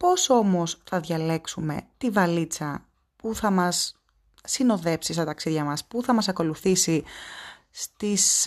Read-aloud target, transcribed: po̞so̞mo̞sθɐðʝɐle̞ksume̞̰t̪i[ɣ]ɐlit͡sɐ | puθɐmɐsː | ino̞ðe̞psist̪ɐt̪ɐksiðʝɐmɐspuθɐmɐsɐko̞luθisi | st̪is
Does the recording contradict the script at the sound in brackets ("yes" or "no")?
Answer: yes